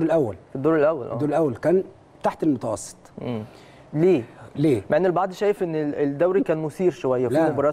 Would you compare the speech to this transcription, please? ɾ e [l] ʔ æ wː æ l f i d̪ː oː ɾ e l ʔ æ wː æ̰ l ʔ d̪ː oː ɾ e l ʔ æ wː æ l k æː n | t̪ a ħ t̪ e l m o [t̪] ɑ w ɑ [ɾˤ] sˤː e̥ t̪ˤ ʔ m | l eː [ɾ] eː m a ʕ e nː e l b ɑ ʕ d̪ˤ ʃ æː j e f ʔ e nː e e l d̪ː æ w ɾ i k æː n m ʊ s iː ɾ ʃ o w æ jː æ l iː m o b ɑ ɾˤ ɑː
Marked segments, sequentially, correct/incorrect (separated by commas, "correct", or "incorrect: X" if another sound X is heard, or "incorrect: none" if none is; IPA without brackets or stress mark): correct, correct, incorrect: none, incorrect: l